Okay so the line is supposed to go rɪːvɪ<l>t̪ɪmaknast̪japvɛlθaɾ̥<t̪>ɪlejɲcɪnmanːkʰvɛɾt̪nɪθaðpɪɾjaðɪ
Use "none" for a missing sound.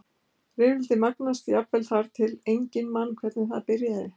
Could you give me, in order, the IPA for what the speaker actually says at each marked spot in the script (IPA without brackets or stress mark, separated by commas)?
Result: l, t̪ʰ